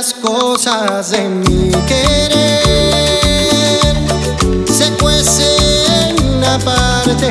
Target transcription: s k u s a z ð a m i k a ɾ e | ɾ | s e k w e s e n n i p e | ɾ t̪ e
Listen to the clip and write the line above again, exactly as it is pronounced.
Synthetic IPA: s k o s a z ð e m i k e ɾ e | ɾ | s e k w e s e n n a p a | ɾ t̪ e

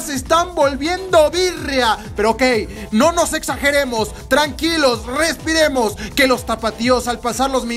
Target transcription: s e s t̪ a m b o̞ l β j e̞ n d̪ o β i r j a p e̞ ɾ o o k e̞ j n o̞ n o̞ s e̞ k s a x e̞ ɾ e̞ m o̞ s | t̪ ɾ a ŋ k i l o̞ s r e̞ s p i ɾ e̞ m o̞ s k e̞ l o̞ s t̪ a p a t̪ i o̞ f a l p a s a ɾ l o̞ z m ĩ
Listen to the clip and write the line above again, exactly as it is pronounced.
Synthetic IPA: s e s t̪ a m b o̞ l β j e̞ n d̪ o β i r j a p e̞ ɾ o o k e̞ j n o̞ n o̞ s e̞ k s a x e̞ ɾ e̞ m o̞ s | t̪ ɾ a ŋ k i l o̞ s r e̞ s p i ɾ e̞ m o̞ s k e̞ l o̞ s t̪ a p a t̪ i o̞ s a l p a s a ɾ l o̞ z m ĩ

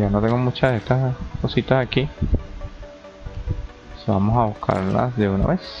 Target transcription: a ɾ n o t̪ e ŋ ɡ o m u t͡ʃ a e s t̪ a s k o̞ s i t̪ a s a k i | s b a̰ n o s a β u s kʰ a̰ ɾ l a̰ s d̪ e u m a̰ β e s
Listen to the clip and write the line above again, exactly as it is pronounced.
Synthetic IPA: a n o t̪ e ŋ ɡ o m u t͡ʃ a e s t̪ a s k o̞ s i t̪ a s a k i | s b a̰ m o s a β u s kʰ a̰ ɾ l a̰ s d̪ e u n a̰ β e s

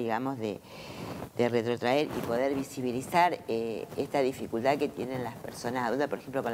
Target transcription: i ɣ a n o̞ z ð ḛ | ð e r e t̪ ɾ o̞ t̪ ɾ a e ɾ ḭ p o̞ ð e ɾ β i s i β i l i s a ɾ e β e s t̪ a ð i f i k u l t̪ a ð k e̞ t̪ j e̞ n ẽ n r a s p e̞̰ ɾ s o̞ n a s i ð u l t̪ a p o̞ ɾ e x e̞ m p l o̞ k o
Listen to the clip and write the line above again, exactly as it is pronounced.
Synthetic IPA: i ɣ a m o̞ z ð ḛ | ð e r e t̪ ɾ o̞ t̪ ɾ a e ɾ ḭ p o̞ ð e ɾ β i s i β i l i s a ɾ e e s t̪ a ð i f i k u l t̪ a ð k e̞ t̪ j e̞ n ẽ n l a s p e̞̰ ɾ s o̞ n a s a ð u l t̪ a p o̞ ɾ e x e̞ m p l o̞ k o

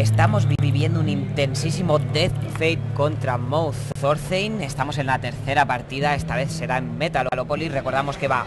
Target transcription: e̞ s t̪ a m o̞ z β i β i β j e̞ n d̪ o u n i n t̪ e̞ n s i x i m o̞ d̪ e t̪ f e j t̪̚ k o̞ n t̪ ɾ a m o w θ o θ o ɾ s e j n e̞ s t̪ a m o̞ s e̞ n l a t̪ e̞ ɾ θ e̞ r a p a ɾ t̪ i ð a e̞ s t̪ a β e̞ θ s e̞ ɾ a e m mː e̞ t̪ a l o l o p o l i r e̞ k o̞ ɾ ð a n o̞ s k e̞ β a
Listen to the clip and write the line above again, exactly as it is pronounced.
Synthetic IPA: e̞ s t̪ a m o̞ z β i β i β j e̞ n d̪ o u n i n t̪ e̞ n s i s i m o̞ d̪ e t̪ f e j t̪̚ k o̞ n t̪ ɾ a m o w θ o θ o ɾ θ e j n e̞ s t̪ a m o̞ s e̞ n l a t̪ e̞ ɾ θ e̞ ɾ a p a ɾ t̪ i ð a e̞ s t̪ a β e̞ θ s e̞ ɾ a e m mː e̞ t̪ a l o l o p o l i r e̞ k o̞ ɾ ð a m o̞ s k e̞ β a

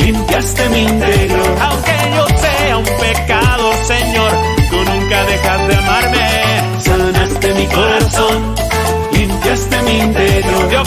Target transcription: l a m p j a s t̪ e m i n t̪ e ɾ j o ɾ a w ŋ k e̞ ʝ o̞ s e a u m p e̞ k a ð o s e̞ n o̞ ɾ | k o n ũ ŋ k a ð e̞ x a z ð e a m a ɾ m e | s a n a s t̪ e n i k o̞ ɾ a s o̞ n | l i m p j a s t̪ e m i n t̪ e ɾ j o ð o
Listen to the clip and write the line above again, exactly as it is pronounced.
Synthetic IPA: l i m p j a s t̪ e m i n t̪ e ɾ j o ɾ a w ŋ k e̞ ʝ o̞ s e a u m p e̞ k a ð o s e̞ ɲ o̞ ɾ | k o n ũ ŋ k a ð e̞ x a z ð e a m a ɾ m e | s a n a s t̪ e m i k o̞ ɾ a s o̞ n | l i m p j a s t̪ e m i n t̪ e ɾ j o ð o

